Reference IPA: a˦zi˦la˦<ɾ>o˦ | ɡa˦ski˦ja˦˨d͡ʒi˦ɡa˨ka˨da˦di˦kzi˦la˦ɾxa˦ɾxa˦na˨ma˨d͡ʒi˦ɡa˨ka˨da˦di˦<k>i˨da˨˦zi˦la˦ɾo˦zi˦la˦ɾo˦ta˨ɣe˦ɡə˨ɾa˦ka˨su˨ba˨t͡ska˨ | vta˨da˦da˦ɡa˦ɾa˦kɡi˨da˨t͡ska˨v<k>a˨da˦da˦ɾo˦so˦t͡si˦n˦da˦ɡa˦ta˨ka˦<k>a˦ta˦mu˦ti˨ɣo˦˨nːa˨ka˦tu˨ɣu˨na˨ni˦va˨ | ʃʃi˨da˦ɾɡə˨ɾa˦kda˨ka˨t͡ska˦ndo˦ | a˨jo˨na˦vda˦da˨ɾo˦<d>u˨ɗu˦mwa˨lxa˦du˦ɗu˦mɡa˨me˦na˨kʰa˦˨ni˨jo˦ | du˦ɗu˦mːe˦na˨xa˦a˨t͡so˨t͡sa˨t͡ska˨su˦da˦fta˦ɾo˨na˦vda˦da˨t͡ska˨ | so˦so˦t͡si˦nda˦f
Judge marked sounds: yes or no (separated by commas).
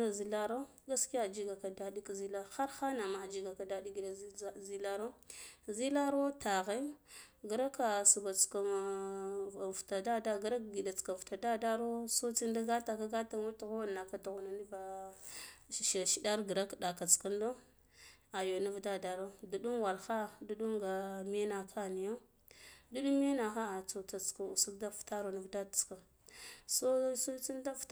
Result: yes, no, no, no, yes